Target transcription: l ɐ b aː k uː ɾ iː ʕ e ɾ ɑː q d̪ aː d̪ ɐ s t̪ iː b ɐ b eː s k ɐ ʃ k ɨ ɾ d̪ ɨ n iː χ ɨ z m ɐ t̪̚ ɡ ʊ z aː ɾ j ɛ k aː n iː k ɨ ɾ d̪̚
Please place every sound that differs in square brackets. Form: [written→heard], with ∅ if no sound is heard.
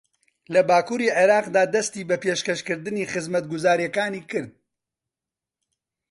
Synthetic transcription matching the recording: l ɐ b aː k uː ɾ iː ʕ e ɾ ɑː q d̪ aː d̪ ɐ s t̪ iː b ɐ [b→p] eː [s→ʃ] k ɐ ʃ k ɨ ɾ d̪ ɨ n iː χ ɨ z m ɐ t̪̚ ɡ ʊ z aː ɾ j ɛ k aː n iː k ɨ ɾ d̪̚